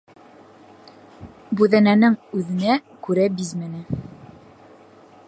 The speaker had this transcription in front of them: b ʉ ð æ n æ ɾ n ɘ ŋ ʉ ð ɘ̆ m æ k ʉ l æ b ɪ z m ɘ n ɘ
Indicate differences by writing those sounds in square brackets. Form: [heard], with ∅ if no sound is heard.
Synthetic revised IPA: b ʉ ð æ n æ [∅] n ɘ ŋ ʉ ð ɘ̆ [n] æ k ʉ [ɾ] æ b [i] z m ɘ n ɘ